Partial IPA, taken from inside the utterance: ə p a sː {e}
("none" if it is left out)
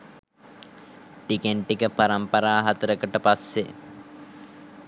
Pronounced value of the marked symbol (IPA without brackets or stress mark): e